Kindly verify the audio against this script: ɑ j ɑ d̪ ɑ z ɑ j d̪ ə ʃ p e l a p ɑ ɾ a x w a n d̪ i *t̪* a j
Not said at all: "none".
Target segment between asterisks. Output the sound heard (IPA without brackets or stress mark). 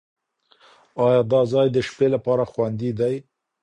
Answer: d̪